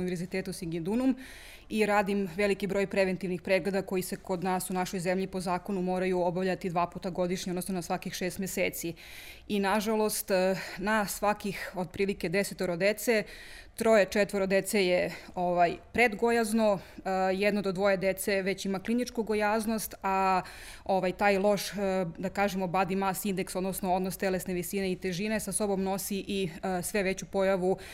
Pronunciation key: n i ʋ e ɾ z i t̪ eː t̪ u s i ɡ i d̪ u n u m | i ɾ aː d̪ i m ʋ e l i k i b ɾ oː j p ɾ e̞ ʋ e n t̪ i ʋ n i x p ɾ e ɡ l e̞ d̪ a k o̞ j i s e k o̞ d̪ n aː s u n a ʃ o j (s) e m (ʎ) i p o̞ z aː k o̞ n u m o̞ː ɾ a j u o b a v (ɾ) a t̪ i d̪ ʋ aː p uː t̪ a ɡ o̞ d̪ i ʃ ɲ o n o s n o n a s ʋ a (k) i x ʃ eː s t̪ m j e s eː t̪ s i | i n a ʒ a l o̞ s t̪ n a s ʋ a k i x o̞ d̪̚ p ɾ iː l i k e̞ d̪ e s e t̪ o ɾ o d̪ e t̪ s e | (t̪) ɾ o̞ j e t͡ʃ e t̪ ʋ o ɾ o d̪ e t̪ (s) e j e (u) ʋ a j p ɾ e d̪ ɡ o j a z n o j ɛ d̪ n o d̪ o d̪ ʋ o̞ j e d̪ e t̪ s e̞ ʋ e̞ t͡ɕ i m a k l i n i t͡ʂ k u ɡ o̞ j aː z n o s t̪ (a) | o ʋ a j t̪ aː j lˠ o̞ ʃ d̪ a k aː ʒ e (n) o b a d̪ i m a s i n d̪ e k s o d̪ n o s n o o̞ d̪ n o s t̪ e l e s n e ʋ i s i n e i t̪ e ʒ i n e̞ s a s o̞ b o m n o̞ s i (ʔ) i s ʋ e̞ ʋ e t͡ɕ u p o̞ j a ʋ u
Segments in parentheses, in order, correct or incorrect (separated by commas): incorrect, correct, incorrect, correct, correct, correct, incorrect, correct, incorrect, correct